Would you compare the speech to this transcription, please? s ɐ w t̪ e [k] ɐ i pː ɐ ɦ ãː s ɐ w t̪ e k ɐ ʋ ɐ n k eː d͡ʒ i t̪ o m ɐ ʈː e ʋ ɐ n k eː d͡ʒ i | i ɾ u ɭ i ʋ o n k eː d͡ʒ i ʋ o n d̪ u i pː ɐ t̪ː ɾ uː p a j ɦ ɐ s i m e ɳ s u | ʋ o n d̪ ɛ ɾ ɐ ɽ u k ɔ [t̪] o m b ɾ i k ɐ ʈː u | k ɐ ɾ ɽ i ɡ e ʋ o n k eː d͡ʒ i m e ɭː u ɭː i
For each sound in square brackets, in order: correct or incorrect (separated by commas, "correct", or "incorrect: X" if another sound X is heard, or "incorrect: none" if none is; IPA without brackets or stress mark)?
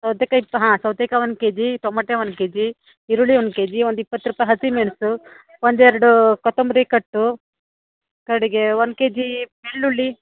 correct, correct